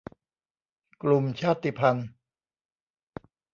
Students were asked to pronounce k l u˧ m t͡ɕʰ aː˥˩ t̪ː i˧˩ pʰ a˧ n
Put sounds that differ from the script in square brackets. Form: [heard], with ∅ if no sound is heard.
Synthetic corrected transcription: k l u˧ m t͡ɕʰ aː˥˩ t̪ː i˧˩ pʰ a˧ n